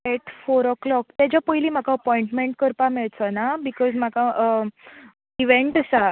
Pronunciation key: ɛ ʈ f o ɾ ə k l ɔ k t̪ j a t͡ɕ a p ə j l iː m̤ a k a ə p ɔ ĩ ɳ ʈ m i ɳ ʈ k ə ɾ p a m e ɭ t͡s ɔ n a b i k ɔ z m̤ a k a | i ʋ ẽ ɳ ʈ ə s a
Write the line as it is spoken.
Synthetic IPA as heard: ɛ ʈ f o ɾ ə k l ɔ k t̪ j a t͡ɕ a p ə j l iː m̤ a k a ə p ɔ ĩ ɳ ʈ m e ɳ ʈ k ə ɾ p a m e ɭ t͡s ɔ n a b i k ɔ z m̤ a k a | i ʋ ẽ ɳ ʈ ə s a